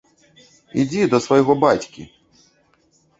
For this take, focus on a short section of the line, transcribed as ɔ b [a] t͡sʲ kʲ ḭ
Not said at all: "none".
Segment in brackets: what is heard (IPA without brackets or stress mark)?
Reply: a